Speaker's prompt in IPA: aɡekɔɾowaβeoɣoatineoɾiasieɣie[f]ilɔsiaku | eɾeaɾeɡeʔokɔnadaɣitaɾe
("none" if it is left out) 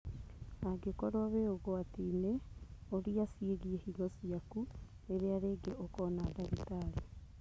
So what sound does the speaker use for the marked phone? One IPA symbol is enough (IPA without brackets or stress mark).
h